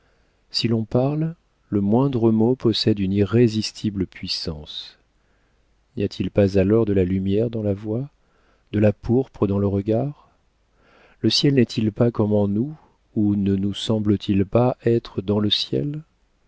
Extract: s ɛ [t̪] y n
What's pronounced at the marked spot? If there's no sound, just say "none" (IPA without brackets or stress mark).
d̪